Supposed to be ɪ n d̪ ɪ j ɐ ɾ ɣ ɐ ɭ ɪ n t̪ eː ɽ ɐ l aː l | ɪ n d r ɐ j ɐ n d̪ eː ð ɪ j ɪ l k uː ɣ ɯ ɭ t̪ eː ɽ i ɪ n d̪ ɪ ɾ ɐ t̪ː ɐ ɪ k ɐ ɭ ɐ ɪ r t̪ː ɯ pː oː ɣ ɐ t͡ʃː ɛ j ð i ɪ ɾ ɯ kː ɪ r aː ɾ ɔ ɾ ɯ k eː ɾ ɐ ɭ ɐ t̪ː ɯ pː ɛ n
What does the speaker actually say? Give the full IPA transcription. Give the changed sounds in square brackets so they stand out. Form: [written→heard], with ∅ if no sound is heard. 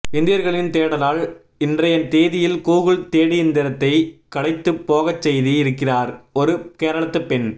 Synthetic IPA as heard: ɪ n d̪ ɪ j ɐ ɾ ɣ ɐ ɭ ɪ n t̪ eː ɽ ɐ l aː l | ɪ n d r ɐ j ɐ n [d̪→t̪] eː ð ɪ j ɪ l k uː ɣ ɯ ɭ t̪ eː ɽ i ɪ n d̪ ɪ ɾ ɐ t̪ː ɐ ɪ k ɐ [ɭ→ɽ] ɐ ɪ [r→∅] t̪ː ɯ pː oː ɣ ɐ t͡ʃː ɛ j ð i ɪ ɾ ɯ kː ɪ r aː ɾ ɔ ɾ ɯ k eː ɾ ɐ ɭ ɐ t̪ː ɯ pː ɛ n

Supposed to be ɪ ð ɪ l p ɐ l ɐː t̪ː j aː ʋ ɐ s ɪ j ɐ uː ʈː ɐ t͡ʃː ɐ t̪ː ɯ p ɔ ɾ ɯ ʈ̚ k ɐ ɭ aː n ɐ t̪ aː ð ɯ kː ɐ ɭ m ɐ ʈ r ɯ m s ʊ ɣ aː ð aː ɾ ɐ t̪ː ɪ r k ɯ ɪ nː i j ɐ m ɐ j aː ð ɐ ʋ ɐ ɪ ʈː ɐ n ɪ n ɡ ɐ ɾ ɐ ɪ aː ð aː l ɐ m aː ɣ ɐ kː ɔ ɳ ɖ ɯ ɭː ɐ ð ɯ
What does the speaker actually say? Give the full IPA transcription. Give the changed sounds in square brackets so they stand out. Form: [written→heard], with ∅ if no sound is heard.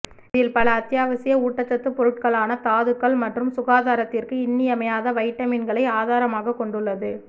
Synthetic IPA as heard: ɪ ð ɪ l p ɐ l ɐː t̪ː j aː ʋ ɐ s ɪ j ɐ uː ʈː ɐ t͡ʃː ɐ t̪ː ɯ p ɔ ɾ ɯ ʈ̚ k ɐ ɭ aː n ɐ t̪ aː ð ɯ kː ɐ ɭ m ɐ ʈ r ɯ m s ʊ ɣ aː ð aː ɾ ɐ t̪ː ɪ r k ɯ ɪ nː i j ɐ m ɐ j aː ð ɐ ʋ ɐ ɪ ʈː ɐ [n→m] ɪ n ɡ ɐ [ɾ→ɭ] ɐ ɪ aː ð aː [l→ɾ] ɐ m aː ɣ ɐ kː ɔ ɳ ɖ ɯ ɭː ɐ ð ɯ

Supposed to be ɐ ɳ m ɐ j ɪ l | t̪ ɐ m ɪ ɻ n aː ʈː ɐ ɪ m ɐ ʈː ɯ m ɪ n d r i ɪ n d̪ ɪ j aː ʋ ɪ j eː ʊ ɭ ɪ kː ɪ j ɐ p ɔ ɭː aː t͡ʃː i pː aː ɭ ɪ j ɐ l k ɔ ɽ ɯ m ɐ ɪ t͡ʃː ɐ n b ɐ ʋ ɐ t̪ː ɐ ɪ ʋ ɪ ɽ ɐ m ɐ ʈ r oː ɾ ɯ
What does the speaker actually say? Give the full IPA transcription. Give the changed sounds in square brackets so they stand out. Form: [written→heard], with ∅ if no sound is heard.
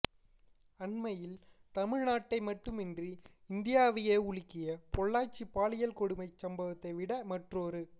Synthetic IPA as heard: ɐ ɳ m ɐ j ɪ l | t̪ ɐ m ɪ ɻ n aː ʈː ɐ ɪ m ɐ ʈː ɯ m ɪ n d r i ɪ n d̪ ɪ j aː ʋ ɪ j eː ʊ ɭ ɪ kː ɪ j ɐ p ɔ ɭː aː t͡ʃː i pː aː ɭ ɪ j ɐ l k ɔ ɽ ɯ m ɐ ɪ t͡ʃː ɐ [n→m] b ɐ ʋ ɐ t̪ː ɐ ɪ ʋ ɪ ɽ ɐ m ɐ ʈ r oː ɾ ɯ

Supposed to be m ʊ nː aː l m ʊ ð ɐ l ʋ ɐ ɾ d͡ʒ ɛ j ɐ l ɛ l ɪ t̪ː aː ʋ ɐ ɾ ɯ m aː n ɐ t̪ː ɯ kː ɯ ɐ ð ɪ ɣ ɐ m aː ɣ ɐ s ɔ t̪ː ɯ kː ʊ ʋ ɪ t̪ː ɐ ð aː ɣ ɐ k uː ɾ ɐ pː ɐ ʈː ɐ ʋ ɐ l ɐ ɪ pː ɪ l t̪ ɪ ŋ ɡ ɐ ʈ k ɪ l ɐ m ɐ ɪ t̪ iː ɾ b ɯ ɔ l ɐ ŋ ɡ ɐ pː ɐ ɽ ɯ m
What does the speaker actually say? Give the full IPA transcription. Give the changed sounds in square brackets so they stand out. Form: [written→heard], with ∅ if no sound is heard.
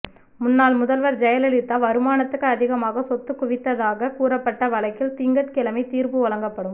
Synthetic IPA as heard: m ʊ nː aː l m ʊ ð ɐ l ʋ ɐ ɾ d͡ʒ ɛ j ɐ l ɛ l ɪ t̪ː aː ʋ ɐ ɾ ɯ m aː n ɐ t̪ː ɯ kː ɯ ɐ ð ɪ ɣ ɐ m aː ɣ ɐ s ɔ t̪ː ɯ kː ʊ ʋ ɪ t̪ː ɐ ð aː ɣ ɐ k uː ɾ ɐ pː ɐ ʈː ɐ ʋ ɐ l ɐ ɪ [pː→kː] ɪ l t̪ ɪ ŋ ɡ ɐ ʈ k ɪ l ɐ m ɐ ɪ t̪ iː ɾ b ɯ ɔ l ɐ ŋ ɡ ɐ pː ɐ ɽ ɯ m

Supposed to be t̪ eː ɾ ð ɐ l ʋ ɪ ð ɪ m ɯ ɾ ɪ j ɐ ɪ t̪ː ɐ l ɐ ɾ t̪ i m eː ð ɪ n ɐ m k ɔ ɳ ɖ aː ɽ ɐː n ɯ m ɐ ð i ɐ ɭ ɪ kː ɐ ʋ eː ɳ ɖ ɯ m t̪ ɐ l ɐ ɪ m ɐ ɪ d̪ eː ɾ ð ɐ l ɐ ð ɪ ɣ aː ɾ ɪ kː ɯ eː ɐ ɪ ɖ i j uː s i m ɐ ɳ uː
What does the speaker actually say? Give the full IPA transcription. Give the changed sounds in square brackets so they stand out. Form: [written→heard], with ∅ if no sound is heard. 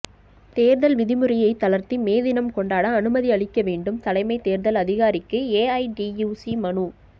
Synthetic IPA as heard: t̪ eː ɾ ð ɐ l ʋ ɪ ð ɪ m ɯ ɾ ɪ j ɐ ɪ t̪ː ɐ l ɐ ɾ t̪ i m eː ð ɪ n ɐ m k ɔ ɳ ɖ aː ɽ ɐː n ɯ m ɐ ð i ɐ ɭ ɪ kː ɐ ʋ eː ɳ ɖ ɯ m t̪ ɐ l ɐ ɪ m ɐ ɪ [d̪→t̪] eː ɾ ð ɐ l ɐ ð ɪ ɣ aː ɾ ɪ kː ɯ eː ɐ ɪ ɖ i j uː s i m ɐ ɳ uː

